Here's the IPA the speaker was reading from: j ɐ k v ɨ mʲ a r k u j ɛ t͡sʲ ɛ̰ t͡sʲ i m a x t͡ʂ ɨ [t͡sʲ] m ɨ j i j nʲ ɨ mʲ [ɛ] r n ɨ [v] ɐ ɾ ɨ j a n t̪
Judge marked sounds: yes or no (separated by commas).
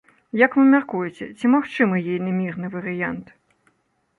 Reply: no, no, yes